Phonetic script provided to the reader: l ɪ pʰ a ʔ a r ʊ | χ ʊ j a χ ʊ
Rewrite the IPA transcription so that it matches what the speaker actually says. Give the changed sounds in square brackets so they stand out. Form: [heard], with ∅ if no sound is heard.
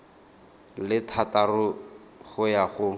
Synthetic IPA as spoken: l ɪ [tʰ] a [t] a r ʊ | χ ʊ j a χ ʊ